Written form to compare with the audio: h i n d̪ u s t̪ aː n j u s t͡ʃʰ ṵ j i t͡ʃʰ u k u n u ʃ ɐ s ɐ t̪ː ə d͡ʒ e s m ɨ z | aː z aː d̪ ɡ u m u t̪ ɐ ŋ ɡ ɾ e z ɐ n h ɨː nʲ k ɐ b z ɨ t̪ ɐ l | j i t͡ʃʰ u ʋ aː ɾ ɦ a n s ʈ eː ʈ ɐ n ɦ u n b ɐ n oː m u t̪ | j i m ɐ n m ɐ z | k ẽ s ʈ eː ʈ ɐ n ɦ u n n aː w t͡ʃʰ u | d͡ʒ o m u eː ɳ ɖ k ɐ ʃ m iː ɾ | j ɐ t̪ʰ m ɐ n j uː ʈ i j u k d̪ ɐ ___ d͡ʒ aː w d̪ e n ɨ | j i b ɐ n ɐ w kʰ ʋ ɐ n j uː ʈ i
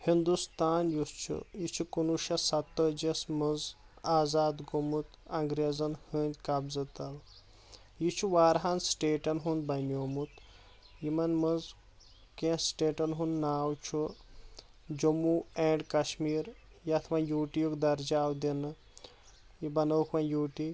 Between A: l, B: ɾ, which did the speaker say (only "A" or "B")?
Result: B